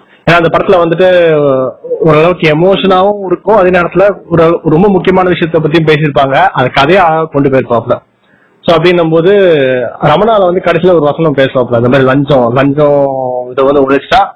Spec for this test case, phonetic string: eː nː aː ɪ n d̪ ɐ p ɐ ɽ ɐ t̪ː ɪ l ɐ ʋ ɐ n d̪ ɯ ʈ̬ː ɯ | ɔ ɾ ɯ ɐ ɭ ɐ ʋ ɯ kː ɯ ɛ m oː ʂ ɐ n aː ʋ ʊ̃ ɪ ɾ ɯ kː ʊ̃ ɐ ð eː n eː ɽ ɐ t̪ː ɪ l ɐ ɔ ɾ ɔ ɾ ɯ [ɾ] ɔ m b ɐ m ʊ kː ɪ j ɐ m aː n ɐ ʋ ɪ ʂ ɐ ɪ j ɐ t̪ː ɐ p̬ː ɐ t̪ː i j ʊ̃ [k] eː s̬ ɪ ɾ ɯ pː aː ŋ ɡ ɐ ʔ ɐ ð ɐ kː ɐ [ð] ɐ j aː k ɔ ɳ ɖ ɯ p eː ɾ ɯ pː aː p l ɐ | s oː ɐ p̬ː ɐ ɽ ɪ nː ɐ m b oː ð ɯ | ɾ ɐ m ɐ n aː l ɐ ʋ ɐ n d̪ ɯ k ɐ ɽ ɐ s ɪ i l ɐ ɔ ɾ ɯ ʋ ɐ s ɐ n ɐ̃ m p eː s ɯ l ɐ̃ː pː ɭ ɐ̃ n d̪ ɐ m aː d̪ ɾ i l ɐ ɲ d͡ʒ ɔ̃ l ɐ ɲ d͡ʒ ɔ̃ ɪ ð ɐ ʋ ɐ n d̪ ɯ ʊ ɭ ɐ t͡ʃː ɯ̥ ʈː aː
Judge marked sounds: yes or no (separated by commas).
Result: yes, no, yes